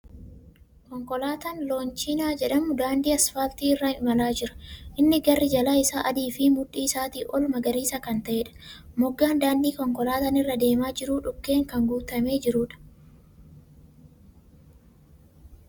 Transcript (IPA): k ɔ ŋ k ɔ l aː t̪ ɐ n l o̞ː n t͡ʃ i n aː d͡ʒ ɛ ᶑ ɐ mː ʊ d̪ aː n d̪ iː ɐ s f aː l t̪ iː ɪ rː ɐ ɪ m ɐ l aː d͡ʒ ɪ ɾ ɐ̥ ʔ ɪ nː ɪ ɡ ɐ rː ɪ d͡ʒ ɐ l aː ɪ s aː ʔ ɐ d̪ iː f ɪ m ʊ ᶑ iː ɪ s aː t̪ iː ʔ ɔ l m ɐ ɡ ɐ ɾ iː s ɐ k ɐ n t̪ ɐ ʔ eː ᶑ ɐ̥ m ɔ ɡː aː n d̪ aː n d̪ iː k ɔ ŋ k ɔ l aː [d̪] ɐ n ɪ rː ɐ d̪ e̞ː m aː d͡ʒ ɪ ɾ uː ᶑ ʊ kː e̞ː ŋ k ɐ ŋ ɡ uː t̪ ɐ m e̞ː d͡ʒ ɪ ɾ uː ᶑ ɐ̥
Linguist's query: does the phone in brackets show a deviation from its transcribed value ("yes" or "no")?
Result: yes